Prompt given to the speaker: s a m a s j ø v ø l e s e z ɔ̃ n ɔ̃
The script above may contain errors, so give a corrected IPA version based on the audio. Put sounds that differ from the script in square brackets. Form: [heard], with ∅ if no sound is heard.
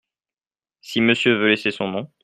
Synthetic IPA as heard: s [i] m [ə] s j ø v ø l e s e [s] ɔ̃ n ɔ̃